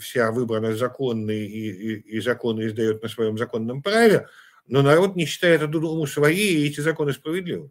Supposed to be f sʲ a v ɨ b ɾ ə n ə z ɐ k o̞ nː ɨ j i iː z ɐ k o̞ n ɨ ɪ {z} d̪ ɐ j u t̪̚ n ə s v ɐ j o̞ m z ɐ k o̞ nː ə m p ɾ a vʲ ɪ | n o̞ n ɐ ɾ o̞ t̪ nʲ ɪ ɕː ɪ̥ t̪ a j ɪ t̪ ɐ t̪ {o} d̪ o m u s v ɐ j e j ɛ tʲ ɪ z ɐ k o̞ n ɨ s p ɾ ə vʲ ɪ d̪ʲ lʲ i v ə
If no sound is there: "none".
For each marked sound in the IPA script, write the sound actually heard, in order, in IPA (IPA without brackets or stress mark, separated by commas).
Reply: z, u